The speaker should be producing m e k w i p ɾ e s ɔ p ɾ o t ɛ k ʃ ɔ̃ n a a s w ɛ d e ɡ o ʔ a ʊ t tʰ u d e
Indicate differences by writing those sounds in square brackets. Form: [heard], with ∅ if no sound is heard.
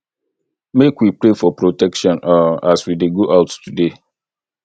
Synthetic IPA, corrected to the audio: m e k w i p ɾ e [f] ɔ p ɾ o t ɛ k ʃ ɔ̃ n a a s w [i] d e ɡ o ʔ a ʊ t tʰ u d e